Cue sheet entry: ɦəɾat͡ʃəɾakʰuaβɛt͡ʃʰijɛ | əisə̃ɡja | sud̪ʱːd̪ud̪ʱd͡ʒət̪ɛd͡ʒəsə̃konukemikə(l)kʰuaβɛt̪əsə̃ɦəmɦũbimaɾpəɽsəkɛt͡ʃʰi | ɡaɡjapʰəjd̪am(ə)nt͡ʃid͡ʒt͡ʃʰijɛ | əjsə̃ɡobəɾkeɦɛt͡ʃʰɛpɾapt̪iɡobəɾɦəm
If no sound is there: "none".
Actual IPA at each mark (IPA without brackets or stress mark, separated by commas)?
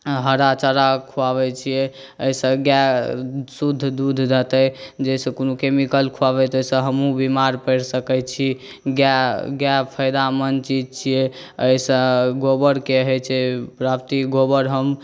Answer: l, ə